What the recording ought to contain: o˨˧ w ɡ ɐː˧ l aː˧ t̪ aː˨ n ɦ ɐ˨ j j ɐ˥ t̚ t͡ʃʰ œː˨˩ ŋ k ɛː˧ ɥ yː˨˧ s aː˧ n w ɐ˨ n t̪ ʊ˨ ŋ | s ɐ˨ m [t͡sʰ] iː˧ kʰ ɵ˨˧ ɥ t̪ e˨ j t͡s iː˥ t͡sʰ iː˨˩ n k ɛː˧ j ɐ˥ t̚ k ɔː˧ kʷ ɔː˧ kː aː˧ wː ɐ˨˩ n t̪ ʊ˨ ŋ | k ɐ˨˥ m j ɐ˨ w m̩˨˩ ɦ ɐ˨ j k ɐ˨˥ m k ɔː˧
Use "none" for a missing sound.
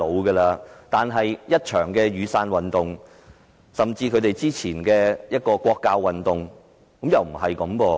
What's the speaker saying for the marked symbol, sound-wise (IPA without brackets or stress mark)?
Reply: t͡s